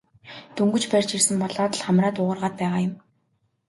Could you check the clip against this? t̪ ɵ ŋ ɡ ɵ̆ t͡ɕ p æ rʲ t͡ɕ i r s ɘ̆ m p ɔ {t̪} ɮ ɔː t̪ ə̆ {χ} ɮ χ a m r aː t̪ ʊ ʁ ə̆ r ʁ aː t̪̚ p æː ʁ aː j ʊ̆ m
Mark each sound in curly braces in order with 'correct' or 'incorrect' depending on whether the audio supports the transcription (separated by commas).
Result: incorrect, incorrect